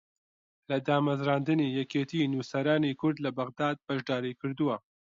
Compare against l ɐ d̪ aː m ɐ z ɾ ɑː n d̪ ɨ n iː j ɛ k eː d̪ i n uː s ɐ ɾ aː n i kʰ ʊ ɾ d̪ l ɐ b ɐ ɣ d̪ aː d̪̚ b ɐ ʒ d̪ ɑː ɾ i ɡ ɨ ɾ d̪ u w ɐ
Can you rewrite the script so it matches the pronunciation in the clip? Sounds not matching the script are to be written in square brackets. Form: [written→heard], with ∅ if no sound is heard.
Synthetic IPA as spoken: l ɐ d̪ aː m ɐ z ɾ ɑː n d̪ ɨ n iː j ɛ k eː [d̪→t̪] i n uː s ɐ ɾ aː n i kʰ ʊ ɾ d̪ l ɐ b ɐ ɣ d̪ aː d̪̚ b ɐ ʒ d̪ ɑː ɾ i [ɡ→k] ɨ ɾ d̪ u w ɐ